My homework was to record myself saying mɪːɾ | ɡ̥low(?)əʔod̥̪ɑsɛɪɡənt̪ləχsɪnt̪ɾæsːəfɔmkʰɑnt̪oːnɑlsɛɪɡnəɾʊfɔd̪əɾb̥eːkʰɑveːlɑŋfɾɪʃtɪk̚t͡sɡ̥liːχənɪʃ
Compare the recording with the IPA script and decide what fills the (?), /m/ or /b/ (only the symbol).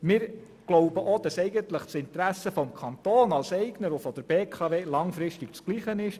b